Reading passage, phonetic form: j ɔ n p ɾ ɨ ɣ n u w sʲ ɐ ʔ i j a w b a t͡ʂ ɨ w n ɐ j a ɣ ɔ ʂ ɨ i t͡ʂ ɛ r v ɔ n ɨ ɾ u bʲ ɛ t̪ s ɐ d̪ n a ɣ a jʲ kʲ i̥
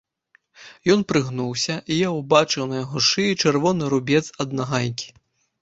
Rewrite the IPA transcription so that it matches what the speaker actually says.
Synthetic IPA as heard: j ɔ n p ɾ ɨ ɣ n u w sʲ ɐ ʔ i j a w b a t͡ʂ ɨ w n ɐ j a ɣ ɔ ʂ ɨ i t͡ʂ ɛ r v ɔ n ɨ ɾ u bʲ ɛ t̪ s ɐ d̪ n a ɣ a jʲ kʲ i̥